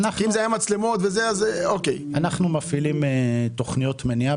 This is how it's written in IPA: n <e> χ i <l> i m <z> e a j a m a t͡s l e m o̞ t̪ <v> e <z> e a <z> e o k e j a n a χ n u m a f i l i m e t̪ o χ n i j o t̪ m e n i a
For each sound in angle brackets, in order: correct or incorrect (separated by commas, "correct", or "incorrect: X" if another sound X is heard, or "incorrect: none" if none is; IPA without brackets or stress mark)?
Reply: incorrect: a, incorrect: none, correct, correct, correct, correct